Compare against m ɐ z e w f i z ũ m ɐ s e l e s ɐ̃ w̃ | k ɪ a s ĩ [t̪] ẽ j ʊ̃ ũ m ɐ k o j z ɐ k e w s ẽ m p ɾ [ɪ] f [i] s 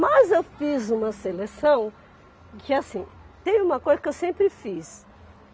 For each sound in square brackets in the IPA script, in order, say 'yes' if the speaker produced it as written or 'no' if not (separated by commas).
yes, yes, yes